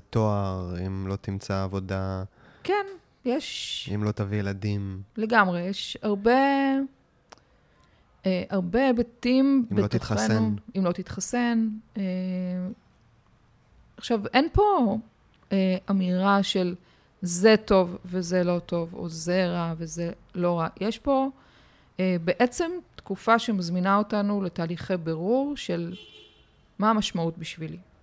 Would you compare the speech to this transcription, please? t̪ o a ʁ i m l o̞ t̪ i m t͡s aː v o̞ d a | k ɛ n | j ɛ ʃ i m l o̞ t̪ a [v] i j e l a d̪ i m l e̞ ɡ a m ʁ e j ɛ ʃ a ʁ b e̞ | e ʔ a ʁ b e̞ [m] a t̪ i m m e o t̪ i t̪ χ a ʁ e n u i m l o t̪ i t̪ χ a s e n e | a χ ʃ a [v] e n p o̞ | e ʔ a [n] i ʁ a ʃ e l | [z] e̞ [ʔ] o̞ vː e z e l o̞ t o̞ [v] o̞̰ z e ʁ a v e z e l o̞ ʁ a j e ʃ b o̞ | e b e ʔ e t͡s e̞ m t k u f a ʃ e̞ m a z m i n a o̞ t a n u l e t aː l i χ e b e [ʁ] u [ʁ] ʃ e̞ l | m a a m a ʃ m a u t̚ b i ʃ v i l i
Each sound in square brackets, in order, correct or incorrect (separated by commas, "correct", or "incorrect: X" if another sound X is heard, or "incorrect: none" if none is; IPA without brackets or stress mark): correct, incorrect: b, correct, incorrect: m, correct, incorrect: t, correct, correct, correct